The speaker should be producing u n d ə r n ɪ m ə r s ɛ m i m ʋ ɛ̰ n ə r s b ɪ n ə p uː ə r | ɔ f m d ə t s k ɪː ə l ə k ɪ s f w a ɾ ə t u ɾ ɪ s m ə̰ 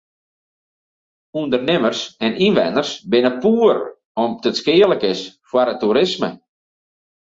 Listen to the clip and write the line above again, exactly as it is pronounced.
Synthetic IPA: u n d ə r n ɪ m ə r s ɛ n i n ʋ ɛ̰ n ə r s b ɪ n ə p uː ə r | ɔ m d ə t s k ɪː ə l ə k ɪ s f w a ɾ ə t u ɾ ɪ s m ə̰